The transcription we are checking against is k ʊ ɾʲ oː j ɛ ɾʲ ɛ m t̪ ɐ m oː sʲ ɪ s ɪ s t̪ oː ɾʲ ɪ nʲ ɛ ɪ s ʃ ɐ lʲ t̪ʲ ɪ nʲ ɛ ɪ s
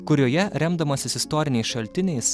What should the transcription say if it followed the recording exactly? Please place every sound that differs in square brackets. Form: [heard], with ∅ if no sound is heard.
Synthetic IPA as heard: k ʊ ɾʲ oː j ɛ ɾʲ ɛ m [d̪] ɐ m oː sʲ ɪ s ɪ s t̪ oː ɾʲ ɪ nʲ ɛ ɪ s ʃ ɐ lʲ t̪ʲ ɪ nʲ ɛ ɪ s